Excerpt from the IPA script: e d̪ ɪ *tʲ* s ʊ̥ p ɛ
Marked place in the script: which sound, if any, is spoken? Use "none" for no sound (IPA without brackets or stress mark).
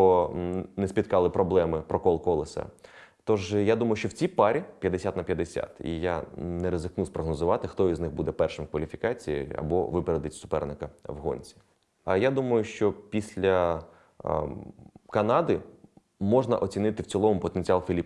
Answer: tʲ